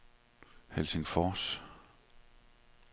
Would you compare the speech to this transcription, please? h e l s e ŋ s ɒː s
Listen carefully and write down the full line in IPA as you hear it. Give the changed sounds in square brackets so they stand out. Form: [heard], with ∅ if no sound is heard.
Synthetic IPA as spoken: h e l s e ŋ [f] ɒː s